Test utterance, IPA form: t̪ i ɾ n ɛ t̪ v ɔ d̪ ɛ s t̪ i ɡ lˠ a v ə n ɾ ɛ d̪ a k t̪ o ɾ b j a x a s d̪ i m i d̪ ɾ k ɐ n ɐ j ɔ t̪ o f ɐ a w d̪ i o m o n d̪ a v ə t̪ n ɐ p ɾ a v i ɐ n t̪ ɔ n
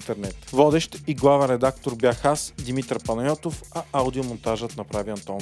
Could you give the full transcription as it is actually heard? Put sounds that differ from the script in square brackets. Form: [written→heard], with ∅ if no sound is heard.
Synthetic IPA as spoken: t̪ [i→ɛ] ɾ n ɛ t̪ v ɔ d̪ ɛ [s→ʃ] t̪ i ɡ lˠ a v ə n ɾ ɛ d̪ a k t̪ o ɾ b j a x a s d̪ i m i [d̪→t̪] ɾ [k→p] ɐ n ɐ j ɔ t̪ o f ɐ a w d̪ i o m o n [d̪→t̪] a [v→ʒ] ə t̪ n ɐ p ɾ a v i ɐ n t̪ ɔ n